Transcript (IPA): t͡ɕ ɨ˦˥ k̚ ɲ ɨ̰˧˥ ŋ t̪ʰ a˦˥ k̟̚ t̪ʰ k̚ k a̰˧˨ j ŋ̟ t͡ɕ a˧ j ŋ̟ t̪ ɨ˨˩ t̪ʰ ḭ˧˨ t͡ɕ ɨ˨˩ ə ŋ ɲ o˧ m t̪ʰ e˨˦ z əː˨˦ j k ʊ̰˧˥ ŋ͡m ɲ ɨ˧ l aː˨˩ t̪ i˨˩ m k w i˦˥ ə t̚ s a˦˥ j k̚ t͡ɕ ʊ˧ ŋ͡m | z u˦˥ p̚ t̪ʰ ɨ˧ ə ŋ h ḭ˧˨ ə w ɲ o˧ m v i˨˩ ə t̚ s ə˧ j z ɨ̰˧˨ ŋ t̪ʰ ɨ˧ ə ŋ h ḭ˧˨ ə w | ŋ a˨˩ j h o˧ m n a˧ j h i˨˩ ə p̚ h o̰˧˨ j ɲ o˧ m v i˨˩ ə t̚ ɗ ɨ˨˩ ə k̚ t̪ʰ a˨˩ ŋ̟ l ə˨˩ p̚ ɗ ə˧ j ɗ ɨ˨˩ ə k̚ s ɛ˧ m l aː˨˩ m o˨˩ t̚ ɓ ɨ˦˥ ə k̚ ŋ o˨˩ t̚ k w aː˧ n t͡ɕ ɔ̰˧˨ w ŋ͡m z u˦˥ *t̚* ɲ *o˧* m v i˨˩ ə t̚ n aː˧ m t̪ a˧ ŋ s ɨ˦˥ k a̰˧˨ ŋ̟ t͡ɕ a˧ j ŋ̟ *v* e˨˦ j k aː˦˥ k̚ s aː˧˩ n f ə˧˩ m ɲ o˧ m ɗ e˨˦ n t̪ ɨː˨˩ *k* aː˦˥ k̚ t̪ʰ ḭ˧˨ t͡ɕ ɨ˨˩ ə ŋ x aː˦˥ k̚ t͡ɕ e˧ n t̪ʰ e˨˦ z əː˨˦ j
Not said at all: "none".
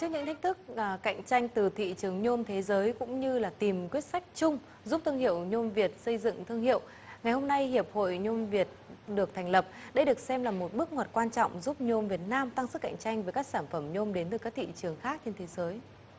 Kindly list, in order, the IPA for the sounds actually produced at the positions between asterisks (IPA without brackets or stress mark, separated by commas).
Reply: p̚, o˧, v, k